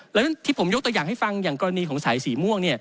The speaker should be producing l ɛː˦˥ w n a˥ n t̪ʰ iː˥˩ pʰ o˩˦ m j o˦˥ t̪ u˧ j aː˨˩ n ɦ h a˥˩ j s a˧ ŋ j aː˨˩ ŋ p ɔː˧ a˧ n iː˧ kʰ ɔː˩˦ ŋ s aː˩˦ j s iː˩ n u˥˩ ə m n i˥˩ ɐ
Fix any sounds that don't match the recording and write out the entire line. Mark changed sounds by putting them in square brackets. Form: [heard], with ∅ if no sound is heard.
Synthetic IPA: l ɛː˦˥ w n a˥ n t̪ʰ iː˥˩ pʰ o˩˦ m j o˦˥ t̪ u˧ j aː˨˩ [ŋ] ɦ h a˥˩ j [f] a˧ ŋ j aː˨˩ ŋ [k] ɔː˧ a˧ n iː˧ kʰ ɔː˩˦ ŋ s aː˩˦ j s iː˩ [m] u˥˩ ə [ŋ] n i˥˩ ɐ